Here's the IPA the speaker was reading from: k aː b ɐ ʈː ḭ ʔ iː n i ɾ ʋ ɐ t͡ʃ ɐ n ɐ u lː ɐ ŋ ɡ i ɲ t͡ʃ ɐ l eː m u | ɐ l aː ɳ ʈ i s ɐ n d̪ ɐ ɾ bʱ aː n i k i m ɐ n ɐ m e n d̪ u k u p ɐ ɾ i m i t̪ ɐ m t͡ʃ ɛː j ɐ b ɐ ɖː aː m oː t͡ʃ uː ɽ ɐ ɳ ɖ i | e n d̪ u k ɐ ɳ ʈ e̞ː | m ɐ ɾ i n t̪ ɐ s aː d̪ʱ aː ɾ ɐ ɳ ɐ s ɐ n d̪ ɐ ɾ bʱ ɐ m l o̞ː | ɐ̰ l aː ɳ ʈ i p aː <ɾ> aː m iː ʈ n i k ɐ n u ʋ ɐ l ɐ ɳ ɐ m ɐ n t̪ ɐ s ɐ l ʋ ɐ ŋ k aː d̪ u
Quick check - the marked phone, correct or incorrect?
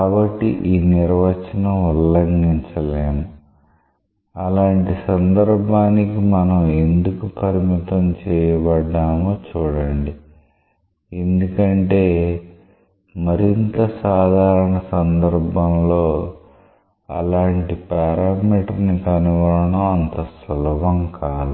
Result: correct